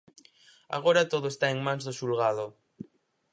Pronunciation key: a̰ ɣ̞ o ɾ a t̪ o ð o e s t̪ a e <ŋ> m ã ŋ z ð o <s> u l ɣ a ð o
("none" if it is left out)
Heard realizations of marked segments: ŋ, ʃ

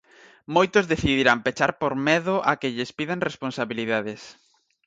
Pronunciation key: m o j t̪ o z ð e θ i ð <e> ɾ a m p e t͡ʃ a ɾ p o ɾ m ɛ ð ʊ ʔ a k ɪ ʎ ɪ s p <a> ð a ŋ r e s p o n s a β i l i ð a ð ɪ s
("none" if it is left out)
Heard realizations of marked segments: i, i

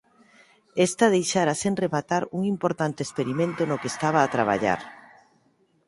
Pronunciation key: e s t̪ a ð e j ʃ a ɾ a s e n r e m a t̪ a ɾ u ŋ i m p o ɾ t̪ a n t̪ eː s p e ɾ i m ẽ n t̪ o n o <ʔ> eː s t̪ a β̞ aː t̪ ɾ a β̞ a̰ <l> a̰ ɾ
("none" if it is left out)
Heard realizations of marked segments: k, ʎ

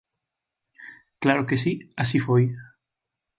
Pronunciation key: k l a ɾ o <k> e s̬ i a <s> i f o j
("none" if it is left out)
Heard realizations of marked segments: k, s

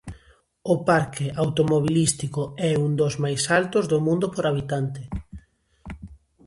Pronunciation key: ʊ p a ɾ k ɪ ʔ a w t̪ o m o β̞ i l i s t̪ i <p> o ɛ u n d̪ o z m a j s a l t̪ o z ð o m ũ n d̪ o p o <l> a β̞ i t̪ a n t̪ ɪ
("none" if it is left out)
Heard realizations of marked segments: k, ɾ

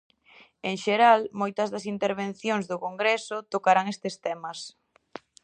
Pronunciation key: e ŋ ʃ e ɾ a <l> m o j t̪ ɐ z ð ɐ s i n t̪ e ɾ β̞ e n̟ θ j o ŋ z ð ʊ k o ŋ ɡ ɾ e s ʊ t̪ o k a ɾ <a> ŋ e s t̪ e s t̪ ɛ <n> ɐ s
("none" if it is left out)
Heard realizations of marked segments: l, a, m

